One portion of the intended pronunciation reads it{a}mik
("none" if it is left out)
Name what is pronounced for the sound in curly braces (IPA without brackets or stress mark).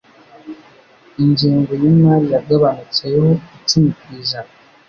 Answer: i